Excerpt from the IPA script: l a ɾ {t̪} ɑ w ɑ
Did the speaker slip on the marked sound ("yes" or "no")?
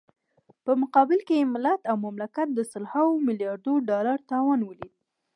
no